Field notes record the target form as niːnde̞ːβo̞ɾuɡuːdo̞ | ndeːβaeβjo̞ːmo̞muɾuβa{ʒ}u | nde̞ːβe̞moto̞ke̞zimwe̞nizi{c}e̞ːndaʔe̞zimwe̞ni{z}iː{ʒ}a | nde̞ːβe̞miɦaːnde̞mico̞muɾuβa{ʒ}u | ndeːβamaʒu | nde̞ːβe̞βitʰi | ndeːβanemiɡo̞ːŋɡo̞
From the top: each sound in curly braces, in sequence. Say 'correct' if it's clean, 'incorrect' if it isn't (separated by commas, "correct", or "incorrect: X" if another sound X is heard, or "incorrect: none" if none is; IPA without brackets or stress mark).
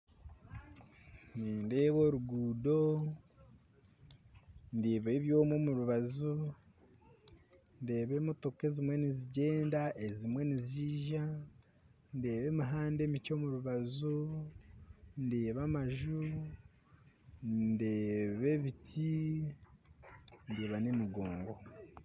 incorrect: z, incorrect: ɟ, correct, correct, incorrect: z